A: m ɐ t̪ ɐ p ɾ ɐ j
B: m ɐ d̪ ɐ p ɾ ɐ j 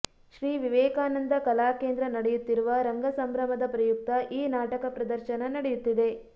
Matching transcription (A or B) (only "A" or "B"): B